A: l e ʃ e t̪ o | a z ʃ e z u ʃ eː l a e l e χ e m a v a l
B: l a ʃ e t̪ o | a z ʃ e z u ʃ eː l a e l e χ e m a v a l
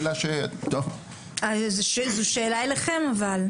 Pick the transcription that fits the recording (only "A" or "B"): B